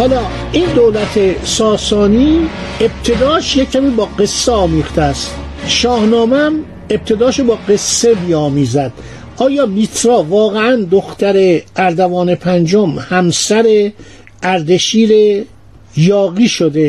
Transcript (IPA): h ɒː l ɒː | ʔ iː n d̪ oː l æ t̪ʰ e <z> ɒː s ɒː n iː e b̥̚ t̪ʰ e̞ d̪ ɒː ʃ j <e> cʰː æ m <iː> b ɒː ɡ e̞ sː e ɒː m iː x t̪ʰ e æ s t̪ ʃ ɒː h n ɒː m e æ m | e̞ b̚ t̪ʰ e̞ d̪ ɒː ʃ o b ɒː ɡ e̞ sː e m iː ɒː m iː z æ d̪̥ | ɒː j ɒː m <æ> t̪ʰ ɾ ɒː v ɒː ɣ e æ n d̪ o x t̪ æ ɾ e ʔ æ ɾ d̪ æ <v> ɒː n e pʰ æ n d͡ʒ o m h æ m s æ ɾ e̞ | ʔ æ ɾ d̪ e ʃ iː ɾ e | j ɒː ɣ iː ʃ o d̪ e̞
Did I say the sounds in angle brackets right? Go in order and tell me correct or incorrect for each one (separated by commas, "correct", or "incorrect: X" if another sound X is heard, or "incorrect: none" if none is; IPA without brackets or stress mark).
incorrect: s, correct, correct, incorrect: i, correct